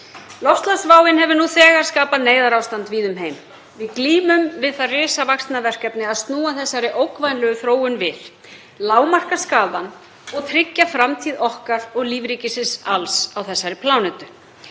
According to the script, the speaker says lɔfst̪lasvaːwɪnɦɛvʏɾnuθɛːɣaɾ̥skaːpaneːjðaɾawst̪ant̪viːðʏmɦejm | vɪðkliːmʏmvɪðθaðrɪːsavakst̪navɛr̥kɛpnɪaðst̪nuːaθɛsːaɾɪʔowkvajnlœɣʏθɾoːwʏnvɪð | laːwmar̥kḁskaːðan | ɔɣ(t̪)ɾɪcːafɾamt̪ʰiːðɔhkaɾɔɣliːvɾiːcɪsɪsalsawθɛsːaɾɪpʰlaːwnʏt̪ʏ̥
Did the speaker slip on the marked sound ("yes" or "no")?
yes